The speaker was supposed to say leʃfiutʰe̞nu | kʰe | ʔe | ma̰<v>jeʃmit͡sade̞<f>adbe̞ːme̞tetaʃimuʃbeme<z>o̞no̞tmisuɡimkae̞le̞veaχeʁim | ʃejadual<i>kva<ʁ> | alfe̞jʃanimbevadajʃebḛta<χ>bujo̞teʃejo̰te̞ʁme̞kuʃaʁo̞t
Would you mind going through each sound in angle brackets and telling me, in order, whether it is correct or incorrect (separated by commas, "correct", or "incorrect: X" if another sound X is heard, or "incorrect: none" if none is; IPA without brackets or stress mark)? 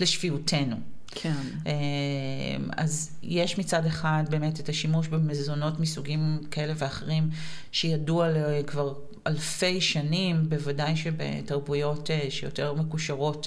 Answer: incorrect: z, incorrect: χ, correct, incorrect: e, correct, incorrect: ʁ